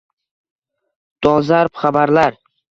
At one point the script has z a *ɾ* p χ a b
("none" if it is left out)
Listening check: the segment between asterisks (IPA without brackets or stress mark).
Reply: ɾ